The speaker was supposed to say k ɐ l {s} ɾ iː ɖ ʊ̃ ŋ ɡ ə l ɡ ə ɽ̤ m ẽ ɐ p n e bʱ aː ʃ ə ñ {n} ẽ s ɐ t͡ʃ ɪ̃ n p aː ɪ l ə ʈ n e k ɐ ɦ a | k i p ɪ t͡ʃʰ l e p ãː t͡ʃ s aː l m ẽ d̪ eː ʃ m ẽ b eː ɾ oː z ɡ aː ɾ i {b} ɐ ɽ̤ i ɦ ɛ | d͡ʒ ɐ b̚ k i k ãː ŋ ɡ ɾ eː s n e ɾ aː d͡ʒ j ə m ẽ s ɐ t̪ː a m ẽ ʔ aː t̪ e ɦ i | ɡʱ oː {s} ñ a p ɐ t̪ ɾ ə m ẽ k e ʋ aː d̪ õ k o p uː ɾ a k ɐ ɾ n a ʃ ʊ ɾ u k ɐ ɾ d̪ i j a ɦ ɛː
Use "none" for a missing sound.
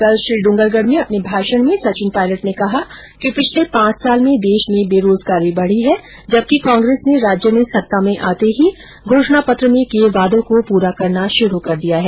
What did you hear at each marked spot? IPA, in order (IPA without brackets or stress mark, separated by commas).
ʃ, m, b, ʃ